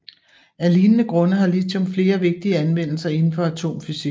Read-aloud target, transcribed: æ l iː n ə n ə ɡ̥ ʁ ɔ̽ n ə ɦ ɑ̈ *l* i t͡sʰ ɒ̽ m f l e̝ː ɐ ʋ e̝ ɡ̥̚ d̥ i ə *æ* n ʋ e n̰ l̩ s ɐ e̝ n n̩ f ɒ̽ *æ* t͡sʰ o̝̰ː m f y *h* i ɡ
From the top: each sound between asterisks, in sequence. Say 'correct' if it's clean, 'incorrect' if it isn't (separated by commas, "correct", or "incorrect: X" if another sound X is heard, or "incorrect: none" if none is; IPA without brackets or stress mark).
correct, correct, correct, incorrect: s